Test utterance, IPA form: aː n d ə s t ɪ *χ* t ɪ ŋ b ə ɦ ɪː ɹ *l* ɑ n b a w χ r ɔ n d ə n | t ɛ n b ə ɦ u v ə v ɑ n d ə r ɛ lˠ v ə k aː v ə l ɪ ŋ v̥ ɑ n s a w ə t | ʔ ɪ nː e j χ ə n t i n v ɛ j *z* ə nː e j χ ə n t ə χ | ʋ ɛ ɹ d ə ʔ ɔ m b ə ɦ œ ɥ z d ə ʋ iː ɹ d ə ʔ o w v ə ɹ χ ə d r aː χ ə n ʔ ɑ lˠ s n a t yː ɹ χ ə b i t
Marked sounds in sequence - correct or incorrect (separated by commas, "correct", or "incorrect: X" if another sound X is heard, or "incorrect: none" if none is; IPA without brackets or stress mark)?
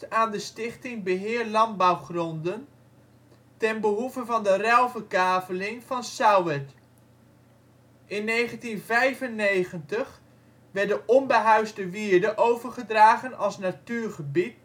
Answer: correct, correct, incorrect: v